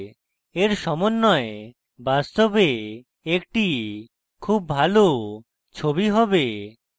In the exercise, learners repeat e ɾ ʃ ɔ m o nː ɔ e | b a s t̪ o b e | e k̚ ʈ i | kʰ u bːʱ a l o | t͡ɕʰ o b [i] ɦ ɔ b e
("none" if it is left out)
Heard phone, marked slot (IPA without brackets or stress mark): i